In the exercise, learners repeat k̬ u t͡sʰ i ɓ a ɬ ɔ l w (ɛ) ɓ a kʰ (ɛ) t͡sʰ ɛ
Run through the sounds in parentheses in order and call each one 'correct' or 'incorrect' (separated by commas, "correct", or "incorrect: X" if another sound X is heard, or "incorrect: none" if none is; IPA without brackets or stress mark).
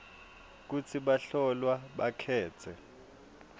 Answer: incorrect: a, incorrect: ɛː